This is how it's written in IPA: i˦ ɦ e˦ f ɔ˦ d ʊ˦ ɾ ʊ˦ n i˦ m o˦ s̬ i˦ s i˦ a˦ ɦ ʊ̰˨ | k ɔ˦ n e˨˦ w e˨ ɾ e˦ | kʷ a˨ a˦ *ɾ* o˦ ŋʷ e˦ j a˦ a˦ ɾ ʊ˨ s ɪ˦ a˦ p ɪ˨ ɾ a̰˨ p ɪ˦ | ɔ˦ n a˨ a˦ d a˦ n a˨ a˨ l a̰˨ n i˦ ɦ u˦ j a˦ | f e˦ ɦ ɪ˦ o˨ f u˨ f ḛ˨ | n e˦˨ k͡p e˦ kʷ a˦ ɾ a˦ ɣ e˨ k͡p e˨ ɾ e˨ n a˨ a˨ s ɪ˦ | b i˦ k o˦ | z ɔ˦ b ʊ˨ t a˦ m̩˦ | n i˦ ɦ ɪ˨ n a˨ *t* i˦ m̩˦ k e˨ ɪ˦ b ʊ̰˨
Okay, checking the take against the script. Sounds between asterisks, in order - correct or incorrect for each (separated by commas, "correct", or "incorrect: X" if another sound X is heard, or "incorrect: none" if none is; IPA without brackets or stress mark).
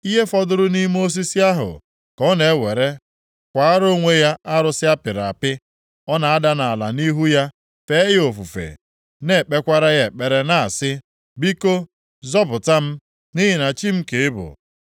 correct, incorrect: t͡ʃ